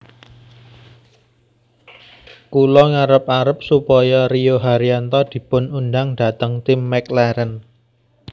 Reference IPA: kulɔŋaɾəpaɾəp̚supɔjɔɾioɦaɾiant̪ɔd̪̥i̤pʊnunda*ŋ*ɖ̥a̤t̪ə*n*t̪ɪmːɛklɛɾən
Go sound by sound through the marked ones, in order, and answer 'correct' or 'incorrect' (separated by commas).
correct, incorrect